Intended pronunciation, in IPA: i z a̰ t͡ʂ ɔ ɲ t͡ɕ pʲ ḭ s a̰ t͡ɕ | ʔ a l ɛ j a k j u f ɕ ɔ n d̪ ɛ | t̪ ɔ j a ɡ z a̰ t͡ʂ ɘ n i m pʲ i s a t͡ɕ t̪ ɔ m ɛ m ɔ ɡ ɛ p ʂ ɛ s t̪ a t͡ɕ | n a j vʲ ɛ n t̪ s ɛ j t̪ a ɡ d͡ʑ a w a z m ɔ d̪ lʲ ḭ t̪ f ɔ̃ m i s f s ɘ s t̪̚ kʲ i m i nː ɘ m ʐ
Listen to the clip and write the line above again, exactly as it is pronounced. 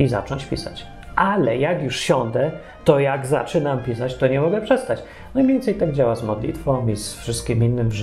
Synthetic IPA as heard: i z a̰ t͡ʂ ɔ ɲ t͡ɕ pʲ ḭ s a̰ t͡ɕ | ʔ a l ɛ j a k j u ʂ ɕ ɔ n d̪ ɛ | t̪ ɔ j a ɡ z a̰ t͡ʂ ɘ n a m pʲ i s a t͡ɕ t̪ ɔ ɲ ɛ m ɔ ɡ ɛ p ʂ ɛ s t̪ a t͡ɕ | n a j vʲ ɛ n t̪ s ɛ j t̪ a ɡ d͡ʑ a w a z m ɔ d̪ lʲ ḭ t̪ f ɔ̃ m i s f ʂ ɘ s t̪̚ kʲ i m i nː ɘ m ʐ